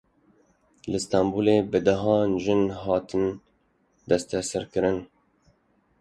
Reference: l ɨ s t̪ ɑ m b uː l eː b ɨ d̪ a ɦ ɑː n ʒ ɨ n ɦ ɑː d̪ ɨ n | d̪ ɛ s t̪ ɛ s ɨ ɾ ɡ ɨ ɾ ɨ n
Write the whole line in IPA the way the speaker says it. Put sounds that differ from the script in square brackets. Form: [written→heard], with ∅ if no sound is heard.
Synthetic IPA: l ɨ s t̪ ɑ m b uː l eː b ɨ d̪ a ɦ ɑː n ʒ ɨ n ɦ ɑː [d̪→t̪] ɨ n | d̪ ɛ s t̪ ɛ s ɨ ɾ [ɡ→k] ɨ ɾ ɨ n